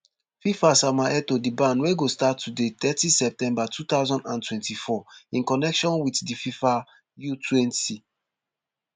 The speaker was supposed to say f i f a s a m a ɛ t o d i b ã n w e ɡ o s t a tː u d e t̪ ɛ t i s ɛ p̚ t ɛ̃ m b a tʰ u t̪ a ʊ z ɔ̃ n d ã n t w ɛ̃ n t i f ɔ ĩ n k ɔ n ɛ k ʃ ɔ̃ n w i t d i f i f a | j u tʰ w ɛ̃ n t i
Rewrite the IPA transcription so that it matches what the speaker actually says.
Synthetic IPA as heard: f i f a s a m a ɛ t o d i b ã n w e ɡ o s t a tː u d e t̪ ɛ t i s ɛ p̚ t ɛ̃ m b a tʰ u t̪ a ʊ z ɔ̃ n d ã n t w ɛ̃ n t i f ɔ ĩ n k ɔ n ɛ k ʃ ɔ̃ n w i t d i f i f a | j u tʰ w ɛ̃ n t i